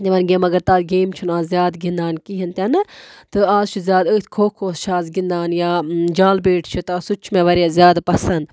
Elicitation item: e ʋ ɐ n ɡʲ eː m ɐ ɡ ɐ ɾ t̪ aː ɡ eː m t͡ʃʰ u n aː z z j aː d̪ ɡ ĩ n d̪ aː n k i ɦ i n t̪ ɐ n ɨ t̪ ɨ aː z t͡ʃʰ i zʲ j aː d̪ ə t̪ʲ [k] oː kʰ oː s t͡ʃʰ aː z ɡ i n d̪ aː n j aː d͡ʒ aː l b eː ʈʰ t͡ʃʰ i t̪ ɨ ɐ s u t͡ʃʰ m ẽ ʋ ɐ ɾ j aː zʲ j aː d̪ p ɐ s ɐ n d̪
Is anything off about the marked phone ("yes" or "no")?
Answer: yes